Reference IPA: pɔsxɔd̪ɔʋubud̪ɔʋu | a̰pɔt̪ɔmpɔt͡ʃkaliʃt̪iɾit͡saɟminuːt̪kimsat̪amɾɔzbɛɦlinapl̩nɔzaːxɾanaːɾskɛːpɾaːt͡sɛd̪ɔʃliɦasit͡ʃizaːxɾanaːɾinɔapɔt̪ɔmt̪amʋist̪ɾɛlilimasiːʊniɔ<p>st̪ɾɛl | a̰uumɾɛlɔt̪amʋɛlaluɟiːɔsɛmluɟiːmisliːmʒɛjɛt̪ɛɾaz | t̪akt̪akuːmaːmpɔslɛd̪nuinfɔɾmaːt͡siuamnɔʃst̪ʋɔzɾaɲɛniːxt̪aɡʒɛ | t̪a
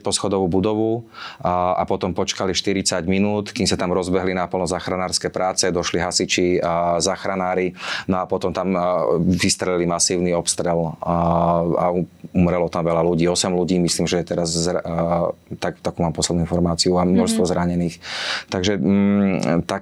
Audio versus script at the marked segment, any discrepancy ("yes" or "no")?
no